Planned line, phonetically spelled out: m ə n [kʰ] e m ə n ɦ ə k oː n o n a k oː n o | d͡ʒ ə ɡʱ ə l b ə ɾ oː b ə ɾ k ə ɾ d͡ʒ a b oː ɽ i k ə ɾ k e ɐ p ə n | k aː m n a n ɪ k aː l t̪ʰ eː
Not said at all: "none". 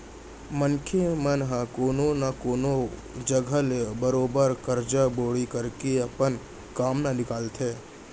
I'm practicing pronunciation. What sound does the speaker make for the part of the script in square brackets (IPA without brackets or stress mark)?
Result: kʰ